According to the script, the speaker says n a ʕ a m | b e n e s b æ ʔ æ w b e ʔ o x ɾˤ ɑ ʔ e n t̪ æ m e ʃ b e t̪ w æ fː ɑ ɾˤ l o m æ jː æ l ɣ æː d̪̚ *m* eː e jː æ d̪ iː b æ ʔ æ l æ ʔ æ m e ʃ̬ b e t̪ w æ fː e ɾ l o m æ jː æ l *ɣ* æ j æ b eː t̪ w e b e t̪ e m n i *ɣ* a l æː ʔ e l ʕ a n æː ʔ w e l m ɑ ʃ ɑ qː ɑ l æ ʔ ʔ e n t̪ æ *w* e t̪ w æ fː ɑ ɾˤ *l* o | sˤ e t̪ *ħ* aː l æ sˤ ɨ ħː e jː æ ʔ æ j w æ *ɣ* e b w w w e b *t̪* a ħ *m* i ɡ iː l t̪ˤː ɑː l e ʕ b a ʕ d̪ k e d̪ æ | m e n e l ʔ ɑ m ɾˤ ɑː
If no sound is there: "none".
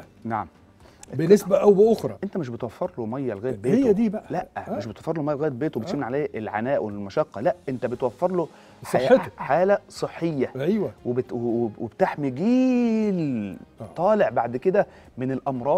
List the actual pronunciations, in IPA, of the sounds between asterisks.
b, ɣ, ʕ, b, l, ħ, w, t̪, m

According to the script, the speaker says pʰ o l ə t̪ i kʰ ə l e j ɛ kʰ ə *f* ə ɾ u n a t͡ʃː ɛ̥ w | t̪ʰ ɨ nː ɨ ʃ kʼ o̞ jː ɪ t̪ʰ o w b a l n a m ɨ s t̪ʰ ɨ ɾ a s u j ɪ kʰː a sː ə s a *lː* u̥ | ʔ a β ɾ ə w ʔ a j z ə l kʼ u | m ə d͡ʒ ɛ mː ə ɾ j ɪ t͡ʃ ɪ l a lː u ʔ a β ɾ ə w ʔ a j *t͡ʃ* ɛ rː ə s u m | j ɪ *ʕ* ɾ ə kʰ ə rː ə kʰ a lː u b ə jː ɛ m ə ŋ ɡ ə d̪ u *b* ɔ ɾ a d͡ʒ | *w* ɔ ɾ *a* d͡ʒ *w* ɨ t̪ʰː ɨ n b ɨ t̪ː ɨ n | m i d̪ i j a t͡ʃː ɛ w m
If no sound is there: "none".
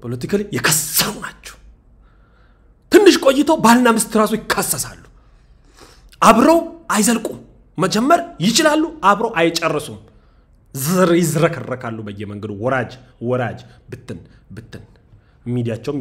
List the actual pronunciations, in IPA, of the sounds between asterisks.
s, lː, t͡ʃʼ, z, w, w, a, b

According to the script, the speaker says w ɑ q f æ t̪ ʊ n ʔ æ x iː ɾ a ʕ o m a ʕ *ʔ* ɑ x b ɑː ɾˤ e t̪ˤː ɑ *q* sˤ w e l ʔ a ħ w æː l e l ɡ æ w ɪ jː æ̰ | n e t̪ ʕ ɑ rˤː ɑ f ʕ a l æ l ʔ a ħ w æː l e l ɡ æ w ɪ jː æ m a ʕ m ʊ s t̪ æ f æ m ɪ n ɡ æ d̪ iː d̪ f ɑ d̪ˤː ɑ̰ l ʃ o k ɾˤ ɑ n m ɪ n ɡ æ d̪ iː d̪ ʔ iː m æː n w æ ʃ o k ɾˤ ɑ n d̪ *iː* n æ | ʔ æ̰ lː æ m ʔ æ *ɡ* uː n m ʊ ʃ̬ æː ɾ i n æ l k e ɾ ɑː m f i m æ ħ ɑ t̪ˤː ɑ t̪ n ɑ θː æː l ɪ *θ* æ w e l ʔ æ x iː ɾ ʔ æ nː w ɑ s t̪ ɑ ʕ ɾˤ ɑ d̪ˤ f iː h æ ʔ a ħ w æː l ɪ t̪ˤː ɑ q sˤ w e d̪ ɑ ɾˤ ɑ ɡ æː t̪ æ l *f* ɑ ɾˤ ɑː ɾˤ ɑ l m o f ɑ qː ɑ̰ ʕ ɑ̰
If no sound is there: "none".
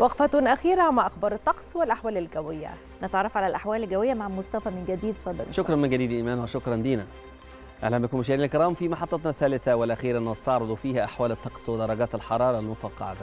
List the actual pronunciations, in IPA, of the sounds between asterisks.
ʔ, q, iː, k, θ, ħ

